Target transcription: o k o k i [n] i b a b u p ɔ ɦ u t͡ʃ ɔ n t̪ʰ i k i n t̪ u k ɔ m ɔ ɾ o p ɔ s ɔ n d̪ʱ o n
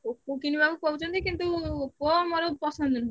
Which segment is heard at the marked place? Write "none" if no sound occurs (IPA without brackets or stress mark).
n